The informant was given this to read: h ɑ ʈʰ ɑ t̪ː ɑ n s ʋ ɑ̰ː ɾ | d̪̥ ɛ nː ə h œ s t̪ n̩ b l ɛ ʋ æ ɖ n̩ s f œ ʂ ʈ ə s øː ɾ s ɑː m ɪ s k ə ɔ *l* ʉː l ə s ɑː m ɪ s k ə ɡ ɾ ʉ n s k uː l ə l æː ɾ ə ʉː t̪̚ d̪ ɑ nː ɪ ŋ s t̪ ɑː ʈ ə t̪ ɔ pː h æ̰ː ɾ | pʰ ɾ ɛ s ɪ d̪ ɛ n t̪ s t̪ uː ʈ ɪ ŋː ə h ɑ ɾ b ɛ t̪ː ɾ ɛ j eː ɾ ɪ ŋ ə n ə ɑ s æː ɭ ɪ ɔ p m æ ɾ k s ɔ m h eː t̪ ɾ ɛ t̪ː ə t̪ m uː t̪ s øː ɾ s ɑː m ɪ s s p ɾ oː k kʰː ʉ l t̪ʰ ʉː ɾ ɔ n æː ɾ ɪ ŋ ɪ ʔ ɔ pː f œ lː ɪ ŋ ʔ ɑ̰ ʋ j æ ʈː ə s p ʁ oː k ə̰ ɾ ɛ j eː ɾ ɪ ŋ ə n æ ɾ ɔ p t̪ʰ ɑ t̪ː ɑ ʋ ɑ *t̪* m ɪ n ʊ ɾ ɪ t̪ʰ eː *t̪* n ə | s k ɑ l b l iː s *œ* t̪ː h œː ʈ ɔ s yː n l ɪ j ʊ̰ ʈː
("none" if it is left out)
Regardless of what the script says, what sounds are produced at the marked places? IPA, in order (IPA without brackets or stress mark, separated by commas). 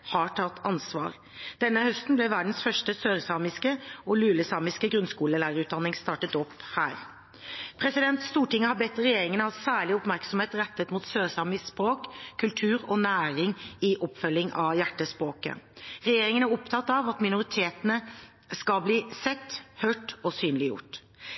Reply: l, t̪, t̪, ɛ